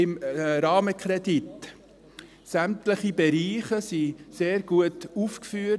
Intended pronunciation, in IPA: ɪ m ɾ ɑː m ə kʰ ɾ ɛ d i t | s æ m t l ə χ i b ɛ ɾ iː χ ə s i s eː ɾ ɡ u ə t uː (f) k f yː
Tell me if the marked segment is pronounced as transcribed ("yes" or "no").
yes